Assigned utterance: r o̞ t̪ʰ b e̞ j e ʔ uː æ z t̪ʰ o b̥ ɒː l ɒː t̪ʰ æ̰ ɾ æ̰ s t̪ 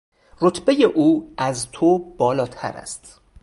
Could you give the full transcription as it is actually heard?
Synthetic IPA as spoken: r o̞ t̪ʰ b e̞ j e ʔ uː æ z t̪ʰ o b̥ ɒː l ɒː t̪ʰ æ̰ ɾ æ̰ s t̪